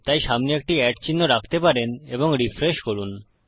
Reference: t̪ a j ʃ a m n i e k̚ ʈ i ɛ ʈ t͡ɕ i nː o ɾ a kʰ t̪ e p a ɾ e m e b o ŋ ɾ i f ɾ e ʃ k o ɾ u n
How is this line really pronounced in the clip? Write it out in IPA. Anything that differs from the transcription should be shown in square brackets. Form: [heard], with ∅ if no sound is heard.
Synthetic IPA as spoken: t̪ a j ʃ a m n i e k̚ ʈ i ɛ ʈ t͡ɕ i nː o ɾ a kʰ t̪ e p a ɾ e [n] e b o ŋ ɾ i f ɾ e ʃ k o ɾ u n

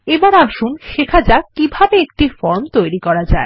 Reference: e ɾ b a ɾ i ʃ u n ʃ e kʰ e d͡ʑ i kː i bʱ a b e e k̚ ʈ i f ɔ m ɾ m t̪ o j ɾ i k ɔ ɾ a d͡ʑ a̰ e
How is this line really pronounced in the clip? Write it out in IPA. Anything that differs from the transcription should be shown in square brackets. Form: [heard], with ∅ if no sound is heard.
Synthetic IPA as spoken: e [∅] b a ɾ [a] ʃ u n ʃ e kʰ [a] d͡ʑ [a] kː i bʱ a b e e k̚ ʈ i f ɔ [∅] ɾ m t̪ o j ɾ i k ɔ ɾ a d͡ʑ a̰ e

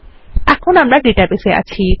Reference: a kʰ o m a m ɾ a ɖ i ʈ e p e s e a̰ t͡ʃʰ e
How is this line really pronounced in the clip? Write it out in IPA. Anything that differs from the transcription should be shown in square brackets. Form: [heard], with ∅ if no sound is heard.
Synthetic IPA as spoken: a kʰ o [n] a m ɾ a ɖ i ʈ [a] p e s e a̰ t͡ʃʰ [i]

